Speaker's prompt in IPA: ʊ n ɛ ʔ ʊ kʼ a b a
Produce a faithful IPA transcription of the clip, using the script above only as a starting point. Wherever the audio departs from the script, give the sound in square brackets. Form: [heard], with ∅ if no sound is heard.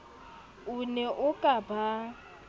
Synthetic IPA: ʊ n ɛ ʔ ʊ kʼ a b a